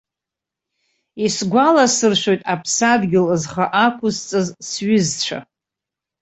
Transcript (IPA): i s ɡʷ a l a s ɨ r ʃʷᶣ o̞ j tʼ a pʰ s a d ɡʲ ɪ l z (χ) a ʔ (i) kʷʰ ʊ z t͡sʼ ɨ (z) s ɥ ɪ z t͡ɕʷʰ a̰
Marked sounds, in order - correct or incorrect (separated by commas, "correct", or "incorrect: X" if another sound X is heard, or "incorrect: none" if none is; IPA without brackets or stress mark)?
correct, incorrect: a, correct